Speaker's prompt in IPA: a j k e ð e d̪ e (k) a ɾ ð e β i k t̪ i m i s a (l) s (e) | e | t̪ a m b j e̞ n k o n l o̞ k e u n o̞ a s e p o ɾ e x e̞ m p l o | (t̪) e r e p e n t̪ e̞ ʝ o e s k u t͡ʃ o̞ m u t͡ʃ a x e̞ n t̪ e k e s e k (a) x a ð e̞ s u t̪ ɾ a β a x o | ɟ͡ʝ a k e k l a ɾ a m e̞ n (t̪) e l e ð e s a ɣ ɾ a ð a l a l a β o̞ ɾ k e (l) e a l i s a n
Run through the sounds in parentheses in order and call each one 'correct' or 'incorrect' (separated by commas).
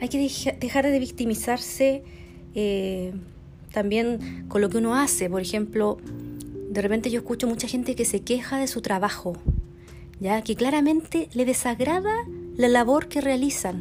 incorrect, incorrect, correct, incorrect, incorrect, correct, incorrect